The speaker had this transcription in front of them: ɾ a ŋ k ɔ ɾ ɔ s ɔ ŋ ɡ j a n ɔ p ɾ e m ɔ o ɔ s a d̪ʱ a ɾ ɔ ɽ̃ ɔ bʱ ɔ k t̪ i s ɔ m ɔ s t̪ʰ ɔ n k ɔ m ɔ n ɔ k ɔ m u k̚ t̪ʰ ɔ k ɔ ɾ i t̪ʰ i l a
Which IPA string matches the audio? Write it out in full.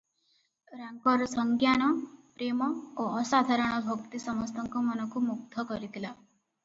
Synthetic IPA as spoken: ɾ a ŋ k ɔ ɾ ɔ s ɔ ŋ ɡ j a n ɔ p ɾ e m ɔ o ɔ s a d̪ʱ a ɾ ɔ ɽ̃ ɔ bʱ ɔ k t̪ i s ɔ m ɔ s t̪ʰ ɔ ŋ k ɔ m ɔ n ɔ k u m u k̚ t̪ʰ ɔ k ɔ ɾ i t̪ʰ i l a